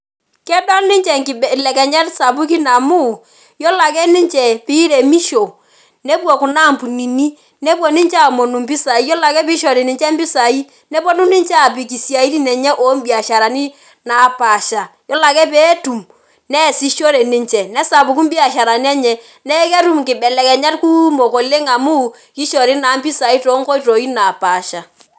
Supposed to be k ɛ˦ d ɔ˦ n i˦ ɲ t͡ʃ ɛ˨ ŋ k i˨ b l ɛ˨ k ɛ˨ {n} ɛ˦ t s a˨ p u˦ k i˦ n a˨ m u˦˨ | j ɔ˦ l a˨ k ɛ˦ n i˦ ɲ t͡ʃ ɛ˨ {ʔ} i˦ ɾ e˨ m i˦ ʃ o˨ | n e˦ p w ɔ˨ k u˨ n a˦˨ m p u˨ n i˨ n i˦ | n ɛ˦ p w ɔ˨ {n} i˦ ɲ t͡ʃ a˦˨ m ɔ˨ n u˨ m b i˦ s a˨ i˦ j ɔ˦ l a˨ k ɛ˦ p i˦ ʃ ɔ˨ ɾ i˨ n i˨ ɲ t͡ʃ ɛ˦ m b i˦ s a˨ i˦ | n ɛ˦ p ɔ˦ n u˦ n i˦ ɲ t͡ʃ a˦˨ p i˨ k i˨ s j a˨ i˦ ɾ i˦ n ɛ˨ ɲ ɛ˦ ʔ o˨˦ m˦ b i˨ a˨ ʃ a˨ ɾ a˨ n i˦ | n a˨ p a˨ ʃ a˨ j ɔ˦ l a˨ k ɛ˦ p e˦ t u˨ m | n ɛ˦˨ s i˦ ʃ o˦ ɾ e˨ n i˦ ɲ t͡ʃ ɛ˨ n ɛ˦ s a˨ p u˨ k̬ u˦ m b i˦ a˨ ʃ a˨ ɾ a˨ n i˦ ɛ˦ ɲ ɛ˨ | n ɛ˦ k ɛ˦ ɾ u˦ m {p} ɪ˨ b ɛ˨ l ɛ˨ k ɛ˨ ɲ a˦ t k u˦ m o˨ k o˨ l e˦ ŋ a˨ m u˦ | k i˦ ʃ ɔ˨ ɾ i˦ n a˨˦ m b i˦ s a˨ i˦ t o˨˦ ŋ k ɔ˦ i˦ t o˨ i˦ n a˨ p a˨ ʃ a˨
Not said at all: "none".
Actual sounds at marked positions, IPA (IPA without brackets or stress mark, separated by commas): ɲ, p, n, k